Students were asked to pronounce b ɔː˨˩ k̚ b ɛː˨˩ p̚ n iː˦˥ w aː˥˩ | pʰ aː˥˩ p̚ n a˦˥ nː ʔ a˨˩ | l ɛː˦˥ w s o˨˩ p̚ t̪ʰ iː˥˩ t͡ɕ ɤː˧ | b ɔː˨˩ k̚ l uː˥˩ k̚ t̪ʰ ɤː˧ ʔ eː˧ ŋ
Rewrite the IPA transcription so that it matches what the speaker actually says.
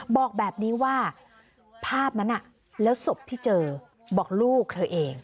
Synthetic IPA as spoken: b ɔː˨˩ k̚ b ɛː˨˩ p̚ n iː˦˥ w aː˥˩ | pʰ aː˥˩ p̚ n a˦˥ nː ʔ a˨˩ | l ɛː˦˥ w s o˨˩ p̚ t̪ʰ iː˥˩ t͡ɕ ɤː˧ | b ɔː˨˩ k̚ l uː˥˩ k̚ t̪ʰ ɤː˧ ʔ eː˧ ŋ

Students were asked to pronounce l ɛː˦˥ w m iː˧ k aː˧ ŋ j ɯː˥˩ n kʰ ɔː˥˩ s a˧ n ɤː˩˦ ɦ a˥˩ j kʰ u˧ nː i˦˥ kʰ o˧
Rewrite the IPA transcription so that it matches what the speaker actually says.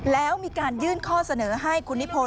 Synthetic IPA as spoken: l ɛː˦˥ w m iː˧ k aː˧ n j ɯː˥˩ n kʰ ɔː˥˩ s a˧ n ɤː˩˦ ɦ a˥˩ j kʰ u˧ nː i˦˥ pʰ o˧

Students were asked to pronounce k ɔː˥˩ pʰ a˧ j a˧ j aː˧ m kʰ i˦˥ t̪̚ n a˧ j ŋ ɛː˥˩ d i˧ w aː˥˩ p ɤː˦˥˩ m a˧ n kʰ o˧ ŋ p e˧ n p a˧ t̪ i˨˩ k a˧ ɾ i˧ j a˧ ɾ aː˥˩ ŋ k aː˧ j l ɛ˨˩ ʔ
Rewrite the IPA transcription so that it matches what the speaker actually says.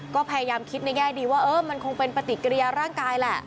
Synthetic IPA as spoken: k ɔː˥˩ pʰ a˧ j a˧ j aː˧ m kʰ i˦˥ t̪̚ n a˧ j ŋ ɛː˥˩ d iː˧ w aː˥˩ ʔ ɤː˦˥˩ m a˧ n kʰ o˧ ŋ p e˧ n p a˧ t̪ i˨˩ k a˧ ɾ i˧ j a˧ ɾ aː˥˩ ŋ k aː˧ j l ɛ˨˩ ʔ

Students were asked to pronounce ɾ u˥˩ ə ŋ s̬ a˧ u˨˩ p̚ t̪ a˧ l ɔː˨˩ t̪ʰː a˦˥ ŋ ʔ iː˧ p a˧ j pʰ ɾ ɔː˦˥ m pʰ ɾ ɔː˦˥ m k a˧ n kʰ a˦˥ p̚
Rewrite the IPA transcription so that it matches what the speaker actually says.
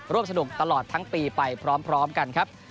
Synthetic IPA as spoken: ɾ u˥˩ ə m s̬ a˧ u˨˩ k̚ t̪ a˧ l ɔː˨˩ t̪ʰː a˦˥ ŋ p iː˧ p a˧ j pʰ ɾ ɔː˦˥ m pʰ ɾ ɔː˦˥ m k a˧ n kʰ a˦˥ p̚

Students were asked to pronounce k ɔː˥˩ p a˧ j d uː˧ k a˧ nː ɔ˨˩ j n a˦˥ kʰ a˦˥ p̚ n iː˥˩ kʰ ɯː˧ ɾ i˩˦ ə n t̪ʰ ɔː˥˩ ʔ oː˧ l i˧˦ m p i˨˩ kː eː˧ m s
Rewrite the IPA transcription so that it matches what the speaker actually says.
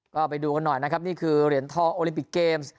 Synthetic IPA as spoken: k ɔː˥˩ p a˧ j d uː˧ k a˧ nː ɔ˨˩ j n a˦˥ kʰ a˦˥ p̚ n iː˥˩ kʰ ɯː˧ ɾ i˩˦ ə n t̪ʰ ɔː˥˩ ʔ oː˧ l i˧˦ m p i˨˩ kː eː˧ m s

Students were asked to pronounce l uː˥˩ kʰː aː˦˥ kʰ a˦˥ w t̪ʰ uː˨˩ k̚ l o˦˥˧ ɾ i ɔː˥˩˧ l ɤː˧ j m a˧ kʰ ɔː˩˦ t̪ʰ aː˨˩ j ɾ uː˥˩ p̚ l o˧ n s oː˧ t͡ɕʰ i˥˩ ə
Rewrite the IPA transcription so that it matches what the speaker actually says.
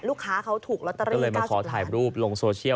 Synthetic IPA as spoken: l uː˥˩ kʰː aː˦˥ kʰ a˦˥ w t̪ʰ uː˨˩ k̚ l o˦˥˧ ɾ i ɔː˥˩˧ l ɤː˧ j m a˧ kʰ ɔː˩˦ t̪ʰ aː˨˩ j ɾ uː˥˩ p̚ l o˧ ŋ s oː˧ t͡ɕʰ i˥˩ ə

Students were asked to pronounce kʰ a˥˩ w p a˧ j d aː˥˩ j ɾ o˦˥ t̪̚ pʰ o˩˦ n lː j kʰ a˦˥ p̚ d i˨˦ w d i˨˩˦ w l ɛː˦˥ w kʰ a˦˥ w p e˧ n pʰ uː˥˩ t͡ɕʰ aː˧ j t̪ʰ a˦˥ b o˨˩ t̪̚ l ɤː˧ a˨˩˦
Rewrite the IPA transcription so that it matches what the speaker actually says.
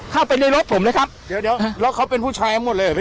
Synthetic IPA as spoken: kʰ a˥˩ w p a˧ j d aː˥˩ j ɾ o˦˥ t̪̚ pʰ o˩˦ m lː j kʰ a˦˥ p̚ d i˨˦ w d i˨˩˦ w l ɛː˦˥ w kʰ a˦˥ w p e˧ n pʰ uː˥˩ t͡ɕʰ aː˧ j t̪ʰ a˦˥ m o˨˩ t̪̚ l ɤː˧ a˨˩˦

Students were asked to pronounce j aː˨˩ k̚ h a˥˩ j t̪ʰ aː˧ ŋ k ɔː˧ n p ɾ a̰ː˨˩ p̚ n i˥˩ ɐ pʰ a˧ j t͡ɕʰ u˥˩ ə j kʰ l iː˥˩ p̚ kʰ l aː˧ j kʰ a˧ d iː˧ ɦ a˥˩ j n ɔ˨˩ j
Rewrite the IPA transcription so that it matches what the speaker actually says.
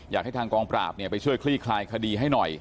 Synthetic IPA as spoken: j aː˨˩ k̚ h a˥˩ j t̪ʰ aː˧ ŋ k ɔː˧ ŋ p ɾ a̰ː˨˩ p̚ n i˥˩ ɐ p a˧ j t͡ɕʰ u˥˩ ə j kʰ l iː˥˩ kʰ l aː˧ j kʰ a˧ d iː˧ ɦ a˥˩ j n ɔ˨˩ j

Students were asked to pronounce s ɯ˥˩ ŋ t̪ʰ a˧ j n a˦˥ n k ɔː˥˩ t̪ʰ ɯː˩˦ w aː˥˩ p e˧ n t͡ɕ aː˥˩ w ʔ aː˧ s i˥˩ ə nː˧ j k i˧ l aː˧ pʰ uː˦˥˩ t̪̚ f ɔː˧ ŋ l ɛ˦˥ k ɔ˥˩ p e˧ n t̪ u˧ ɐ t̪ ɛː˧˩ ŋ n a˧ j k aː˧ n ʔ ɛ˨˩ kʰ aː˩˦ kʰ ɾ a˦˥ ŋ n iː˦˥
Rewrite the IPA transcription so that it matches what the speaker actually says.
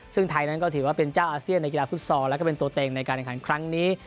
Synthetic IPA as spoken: s ɯ˥˩ ŋ t̪ʰ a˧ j n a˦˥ n k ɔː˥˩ t̪ʰ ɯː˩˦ w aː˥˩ p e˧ n t͡ɕ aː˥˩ w ʔ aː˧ s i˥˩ ə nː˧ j k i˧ l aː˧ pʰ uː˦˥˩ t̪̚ s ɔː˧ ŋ l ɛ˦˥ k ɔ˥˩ p e˧ n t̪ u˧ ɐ t̪ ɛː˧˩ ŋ n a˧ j k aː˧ n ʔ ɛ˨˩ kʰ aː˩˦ kʰ ɾ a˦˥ ŋ n iː˦˥

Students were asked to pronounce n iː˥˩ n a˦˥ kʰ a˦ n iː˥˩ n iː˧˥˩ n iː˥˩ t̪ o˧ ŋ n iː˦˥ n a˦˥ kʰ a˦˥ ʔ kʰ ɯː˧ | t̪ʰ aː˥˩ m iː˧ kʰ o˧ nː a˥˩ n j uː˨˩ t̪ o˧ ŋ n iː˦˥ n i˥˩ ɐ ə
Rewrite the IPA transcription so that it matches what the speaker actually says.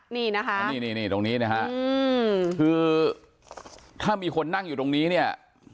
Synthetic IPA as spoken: n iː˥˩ n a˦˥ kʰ a˦ n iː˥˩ n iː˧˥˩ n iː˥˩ t̪ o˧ ŋ n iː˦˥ n a˦˥ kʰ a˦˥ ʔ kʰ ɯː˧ | t̪ʰ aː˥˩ m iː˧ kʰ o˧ nː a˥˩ ŋ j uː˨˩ t̪ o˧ ŋ n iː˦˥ n i˥˩ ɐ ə

